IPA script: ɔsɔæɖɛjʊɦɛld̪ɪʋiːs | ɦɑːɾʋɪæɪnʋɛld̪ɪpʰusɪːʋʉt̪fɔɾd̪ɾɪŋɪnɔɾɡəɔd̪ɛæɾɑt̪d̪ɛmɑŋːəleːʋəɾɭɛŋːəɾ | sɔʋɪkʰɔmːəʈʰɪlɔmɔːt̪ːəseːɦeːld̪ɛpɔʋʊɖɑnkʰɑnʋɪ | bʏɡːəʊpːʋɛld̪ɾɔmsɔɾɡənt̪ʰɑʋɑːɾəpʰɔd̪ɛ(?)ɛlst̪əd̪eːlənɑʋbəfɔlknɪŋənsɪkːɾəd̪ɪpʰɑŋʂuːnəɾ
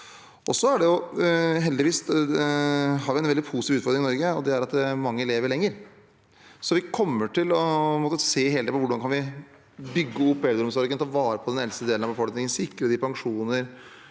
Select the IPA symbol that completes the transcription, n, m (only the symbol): n